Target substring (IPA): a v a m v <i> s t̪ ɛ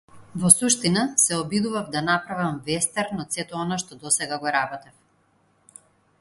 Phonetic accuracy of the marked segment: incorrect: ɛ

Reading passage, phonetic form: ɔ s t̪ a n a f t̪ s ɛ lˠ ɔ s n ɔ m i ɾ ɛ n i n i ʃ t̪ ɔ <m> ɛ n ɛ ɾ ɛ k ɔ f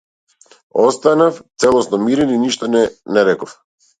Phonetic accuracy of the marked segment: incorrect: n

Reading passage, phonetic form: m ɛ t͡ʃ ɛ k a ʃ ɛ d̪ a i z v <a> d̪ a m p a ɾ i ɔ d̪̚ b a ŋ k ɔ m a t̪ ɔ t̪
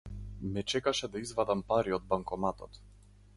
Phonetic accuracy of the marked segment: correct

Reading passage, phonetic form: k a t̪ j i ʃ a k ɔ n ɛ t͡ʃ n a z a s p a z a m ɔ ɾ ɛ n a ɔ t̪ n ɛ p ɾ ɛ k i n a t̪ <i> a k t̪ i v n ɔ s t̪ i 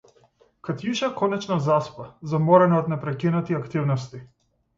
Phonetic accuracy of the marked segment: correct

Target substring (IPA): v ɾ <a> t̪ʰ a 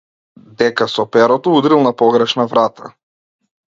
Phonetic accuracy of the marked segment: correct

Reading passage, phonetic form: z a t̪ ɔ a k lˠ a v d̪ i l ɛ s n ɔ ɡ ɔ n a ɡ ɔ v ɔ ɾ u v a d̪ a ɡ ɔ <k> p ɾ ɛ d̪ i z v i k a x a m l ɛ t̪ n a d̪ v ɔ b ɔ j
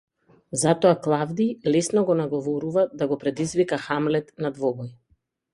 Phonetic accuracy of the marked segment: incorrect: none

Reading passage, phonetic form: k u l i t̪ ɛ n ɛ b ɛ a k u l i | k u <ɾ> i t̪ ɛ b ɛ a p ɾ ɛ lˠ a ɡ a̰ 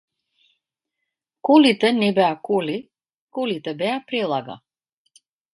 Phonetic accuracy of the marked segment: incorrect: l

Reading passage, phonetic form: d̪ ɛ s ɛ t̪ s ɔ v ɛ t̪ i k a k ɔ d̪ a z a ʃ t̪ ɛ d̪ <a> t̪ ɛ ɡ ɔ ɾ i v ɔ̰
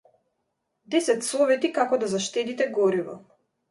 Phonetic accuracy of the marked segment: incorrect: i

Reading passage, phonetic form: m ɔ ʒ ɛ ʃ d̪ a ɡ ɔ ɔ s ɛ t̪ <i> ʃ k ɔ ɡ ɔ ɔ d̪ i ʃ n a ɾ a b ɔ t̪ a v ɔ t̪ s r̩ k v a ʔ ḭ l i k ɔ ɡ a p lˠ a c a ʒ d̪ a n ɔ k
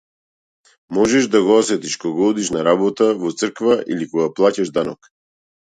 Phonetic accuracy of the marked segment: correct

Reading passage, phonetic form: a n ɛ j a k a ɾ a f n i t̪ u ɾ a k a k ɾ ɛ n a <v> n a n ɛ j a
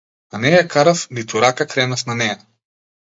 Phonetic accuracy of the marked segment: incorrect: f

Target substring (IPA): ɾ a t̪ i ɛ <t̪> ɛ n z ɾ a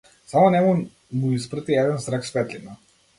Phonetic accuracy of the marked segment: incorrect: d̪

